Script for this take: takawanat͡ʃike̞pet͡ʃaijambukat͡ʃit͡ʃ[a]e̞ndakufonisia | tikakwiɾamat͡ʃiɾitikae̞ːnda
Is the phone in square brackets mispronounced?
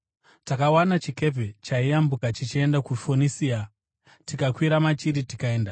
yes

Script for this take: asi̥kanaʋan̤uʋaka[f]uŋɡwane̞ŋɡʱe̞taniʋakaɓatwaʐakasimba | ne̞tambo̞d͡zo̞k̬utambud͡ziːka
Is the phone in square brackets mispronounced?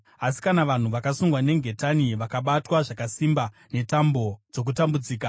yes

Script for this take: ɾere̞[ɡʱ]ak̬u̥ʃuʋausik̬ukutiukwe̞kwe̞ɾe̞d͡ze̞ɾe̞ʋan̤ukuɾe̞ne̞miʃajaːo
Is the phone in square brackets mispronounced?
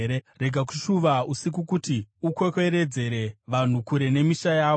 no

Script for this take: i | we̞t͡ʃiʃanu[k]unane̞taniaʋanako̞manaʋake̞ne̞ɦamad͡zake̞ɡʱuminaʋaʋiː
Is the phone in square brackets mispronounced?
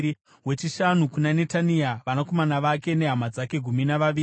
no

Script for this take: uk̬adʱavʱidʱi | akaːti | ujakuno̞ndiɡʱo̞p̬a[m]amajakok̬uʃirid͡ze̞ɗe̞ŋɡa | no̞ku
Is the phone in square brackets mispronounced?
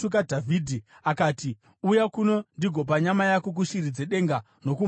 yes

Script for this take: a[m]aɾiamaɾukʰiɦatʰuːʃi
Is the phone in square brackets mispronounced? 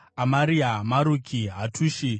no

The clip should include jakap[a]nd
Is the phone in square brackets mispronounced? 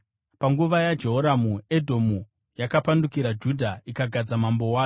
no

